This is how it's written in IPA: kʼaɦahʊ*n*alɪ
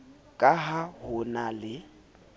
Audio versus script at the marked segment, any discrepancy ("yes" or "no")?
no